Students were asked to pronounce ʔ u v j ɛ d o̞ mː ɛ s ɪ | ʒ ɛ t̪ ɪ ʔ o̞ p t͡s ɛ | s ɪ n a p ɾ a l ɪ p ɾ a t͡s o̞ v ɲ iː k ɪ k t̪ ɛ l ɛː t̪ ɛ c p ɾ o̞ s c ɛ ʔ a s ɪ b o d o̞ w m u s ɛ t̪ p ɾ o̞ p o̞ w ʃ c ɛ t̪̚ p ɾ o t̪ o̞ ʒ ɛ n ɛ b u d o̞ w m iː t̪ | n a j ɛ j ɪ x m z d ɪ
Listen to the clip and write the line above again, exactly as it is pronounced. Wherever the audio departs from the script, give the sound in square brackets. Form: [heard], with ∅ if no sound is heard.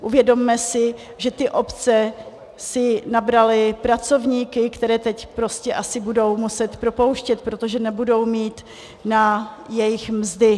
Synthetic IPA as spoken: ʔ u v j ɛ d o̞ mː ɛ s ɪ | ʒ ɛ t̪ ɪ ʔ o̞ p t͡s ɛ | s ɪ n a [b] ɾ a l ɪ p ɾ a t͡s o̞ v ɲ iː k ɪ k t̪ ɛ [ɾ] ɛː t̪ ɛ c p ɾ o̞ s c ɛ ʔ a s ɪ b [u] d o̞ w m u s ɛ t̪ p ɾ o̞ p o̞ w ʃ c ɛ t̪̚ p ɾ o t̪ o̞ ʒ ɛ n ɛ b u d o̞ w m iː t̪ | n a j ɛ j ɪ x m z d ɪ

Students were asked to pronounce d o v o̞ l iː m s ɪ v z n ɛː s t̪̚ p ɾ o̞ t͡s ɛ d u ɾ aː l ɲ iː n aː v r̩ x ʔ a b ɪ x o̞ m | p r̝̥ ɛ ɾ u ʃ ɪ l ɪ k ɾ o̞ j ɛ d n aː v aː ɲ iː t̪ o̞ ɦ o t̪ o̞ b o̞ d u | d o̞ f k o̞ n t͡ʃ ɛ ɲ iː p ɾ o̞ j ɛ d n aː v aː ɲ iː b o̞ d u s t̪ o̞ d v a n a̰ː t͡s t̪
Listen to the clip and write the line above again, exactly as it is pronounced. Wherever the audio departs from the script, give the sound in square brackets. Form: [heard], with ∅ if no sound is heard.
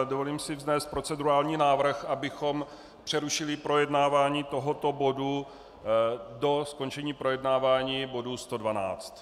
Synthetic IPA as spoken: d o v o̞ l iː m s ɪ v z n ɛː s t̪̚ p ɾ o̞ t͡s ɛ d u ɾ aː l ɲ iː n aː v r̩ x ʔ a b ɪ x o̞ m | p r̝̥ ɛ ɾ u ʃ ɪ l ɪ [p] ɾ o̞ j ɛ d n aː v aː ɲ iː t̪ o̞ ɦ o t̪ o̞ b o̞ d u | d o̞ [s] k o̞ n t͡ʃ ɛ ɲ iː p ɾ o̞ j ɛ d n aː v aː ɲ iː b o̞ d u s t̪ o̞ d v a n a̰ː t͡s t̪

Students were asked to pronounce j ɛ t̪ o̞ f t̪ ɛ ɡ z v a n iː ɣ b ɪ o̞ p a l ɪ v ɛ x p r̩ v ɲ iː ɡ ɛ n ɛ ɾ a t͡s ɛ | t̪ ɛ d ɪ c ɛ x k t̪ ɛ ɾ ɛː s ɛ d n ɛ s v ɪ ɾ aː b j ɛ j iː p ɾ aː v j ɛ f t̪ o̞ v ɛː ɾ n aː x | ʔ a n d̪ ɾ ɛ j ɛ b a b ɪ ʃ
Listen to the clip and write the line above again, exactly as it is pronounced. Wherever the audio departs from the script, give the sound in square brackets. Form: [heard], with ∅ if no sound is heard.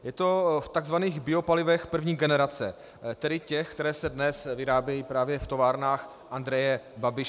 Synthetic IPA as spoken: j ɛ t̪ o̞ f t̪ [a] ɡ z v a n iː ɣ b ɪ o̞ p a l ɪ v ɛ x p r̩ v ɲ iː ɡ ɛ n ɛ ɾ a t͡s ɛ | t̪ ɛ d ɪ c ɛ x k t̪ ɛ ɾ ɛː s ɛ d n ɛ s v ɪ ɾ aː b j ɛ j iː p ɾ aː v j ɛ f t̪ o̞ v [aː] ɾ n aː x | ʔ a n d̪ ɾ ɛ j ɛ b a b ɪ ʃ

